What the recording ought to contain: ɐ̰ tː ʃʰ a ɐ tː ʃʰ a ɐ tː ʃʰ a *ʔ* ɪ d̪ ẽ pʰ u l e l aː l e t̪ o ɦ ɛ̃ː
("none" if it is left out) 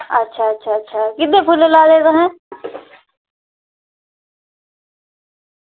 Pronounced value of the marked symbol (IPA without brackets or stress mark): k